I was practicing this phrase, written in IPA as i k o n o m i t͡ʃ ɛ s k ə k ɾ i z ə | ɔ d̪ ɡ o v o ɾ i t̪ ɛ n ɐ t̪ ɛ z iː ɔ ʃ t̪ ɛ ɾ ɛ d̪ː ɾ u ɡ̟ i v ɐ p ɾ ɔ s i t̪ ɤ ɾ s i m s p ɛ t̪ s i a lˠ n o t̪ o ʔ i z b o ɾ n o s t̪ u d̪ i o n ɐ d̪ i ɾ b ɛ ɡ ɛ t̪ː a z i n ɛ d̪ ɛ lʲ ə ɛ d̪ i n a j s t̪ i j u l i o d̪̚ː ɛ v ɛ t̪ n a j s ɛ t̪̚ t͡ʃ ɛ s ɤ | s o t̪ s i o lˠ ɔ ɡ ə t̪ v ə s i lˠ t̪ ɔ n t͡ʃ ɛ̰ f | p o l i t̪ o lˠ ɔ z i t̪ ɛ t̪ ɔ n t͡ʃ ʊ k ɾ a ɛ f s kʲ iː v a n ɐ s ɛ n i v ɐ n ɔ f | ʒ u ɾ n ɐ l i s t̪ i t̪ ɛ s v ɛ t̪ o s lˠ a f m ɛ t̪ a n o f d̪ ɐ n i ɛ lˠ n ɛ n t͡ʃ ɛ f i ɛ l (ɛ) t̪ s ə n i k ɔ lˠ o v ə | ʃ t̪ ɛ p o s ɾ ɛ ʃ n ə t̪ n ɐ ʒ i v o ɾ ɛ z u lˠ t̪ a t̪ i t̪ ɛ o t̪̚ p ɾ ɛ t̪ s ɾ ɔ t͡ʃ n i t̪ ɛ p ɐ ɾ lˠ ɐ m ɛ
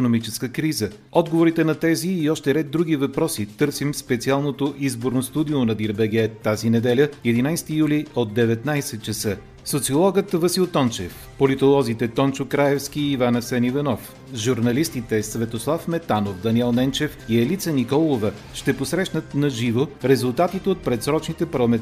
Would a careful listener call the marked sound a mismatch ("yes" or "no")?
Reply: yes